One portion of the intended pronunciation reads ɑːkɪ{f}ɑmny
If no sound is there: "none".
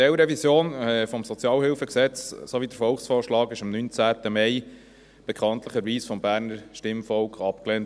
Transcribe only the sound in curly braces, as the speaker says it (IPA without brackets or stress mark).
ʃ